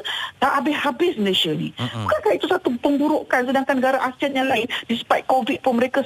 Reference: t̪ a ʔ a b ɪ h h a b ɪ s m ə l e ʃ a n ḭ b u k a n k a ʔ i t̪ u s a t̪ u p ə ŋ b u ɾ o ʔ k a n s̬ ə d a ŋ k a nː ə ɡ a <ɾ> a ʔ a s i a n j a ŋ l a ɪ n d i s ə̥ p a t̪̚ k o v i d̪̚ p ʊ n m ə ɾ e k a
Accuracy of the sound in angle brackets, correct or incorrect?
correct